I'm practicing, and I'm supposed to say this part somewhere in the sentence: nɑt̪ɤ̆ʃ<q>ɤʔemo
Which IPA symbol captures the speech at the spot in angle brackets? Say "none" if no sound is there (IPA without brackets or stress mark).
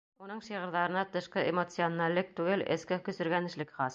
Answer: q